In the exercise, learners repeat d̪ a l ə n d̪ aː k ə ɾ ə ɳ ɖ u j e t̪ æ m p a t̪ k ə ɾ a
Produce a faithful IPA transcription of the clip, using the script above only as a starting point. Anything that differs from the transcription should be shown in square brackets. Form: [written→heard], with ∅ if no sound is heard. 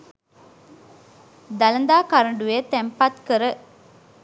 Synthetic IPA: d̪ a l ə n d̪ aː k [ə→a] ɾ ə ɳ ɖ u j e t̪ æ m p a t̪ k ə ɾ [a→ə]